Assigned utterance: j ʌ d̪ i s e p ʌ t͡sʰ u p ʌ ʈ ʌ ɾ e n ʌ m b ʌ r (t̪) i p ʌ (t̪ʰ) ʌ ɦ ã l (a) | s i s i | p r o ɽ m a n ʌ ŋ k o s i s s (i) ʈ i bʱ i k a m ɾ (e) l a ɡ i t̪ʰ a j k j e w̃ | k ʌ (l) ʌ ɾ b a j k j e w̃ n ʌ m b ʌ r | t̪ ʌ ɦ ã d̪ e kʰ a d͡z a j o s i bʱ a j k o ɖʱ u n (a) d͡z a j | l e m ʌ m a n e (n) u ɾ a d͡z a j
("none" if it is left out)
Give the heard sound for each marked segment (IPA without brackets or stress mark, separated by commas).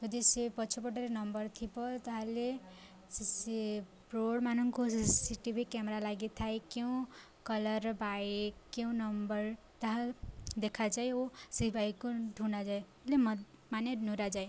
t̪ʰ, t̪, e, i, a, l, a, n